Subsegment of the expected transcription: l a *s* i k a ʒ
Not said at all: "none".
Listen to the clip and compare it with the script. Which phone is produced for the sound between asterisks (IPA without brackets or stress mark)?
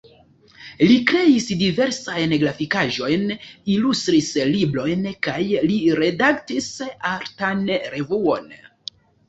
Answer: f